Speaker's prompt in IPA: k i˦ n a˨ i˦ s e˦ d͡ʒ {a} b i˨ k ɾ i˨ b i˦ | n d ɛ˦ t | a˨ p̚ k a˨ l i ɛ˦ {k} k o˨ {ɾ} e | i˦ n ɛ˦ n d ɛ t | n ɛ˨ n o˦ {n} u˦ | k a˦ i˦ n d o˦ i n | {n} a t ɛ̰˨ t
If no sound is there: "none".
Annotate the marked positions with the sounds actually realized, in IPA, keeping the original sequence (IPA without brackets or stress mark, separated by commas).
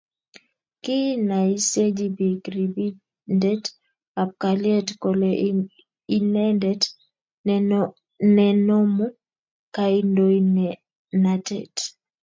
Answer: i, t, l, m, n